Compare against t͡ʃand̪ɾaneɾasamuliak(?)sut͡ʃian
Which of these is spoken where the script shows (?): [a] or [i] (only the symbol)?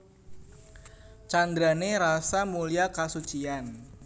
a